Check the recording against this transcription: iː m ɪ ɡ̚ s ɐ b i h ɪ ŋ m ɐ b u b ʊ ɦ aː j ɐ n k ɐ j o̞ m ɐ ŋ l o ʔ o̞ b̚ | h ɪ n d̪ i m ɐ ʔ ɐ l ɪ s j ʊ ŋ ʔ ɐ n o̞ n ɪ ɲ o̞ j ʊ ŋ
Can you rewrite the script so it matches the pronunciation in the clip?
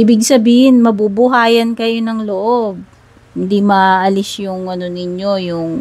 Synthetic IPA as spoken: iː b ɪ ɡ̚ s ɐ b iː h ɪ n m ɐ b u b ʊ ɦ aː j ɐ n k ɐ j o̞ n ɐ ŋ l o ʔ o̞ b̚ | h ɪ n d̪ i m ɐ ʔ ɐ l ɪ s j ʊ ŋ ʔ ɐ n o̞ n ɪ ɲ o̞ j ʊ ŋ